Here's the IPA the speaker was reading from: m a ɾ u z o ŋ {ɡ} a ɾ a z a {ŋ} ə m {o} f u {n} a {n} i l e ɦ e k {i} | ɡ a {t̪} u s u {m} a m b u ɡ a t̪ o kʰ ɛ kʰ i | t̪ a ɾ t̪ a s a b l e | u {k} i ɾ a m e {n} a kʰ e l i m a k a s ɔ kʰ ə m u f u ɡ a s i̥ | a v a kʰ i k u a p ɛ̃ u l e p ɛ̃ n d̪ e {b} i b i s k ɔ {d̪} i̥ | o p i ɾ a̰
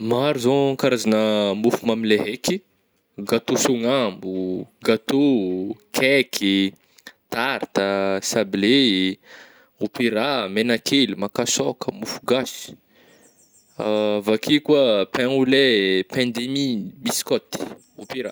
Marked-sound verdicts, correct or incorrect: incorrect: k, incorrect: n, incorrect: u, incorrect: m, incorrect: m, correct, correct, incorrect: ŋ, incorrect: p, correct, incorrect: m, incorrect: t̪

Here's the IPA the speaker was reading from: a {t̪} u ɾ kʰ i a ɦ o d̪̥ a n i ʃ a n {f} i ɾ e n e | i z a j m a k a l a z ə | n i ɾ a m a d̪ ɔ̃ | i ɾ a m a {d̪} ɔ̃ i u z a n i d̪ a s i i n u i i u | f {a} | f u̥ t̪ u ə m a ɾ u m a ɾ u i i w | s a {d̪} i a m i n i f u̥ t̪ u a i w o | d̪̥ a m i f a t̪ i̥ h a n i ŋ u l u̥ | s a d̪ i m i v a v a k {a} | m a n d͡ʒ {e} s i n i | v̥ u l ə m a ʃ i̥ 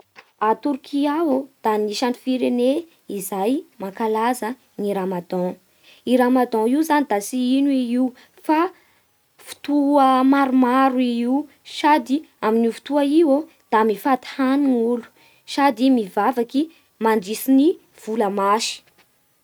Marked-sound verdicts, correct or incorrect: correct, correct, correct, correct, correct, incorrect: i, incorrect: i

